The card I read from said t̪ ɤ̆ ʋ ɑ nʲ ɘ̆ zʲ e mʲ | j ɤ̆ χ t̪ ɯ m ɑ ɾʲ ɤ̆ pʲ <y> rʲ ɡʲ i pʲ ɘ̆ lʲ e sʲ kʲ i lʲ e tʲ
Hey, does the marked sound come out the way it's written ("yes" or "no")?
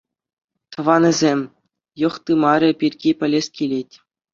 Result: no